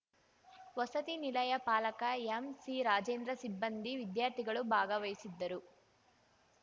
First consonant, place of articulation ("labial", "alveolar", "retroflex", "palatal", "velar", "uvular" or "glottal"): labial